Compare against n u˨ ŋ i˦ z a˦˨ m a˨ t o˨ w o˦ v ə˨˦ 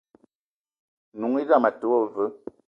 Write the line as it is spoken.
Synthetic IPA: n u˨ ŋ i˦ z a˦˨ m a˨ t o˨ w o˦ v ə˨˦